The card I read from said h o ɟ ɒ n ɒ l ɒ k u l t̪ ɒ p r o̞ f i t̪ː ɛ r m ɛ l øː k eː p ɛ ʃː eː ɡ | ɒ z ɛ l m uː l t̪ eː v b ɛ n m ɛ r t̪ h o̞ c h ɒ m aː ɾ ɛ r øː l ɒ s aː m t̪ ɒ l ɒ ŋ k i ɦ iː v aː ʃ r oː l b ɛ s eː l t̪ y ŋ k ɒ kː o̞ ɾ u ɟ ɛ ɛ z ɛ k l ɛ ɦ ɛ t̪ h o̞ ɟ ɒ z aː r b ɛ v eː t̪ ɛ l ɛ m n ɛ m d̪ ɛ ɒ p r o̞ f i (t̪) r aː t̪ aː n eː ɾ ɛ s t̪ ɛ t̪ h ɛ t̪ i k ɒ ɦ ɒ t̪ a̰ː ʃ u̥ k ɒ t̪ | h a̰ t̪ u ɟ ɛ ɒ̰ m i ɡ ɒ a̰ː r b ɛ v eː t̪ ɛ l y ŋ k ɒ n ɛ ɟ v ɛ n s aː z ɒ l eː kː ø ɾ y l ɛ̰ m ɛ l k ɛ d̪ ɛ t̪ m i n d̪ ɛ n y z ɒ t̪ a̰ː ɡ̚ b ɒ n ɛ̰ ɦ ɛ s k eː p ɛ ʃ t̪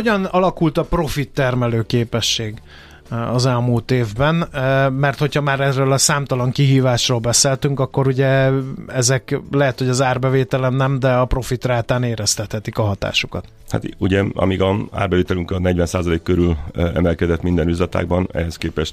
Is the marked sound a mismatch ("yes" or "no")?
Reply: no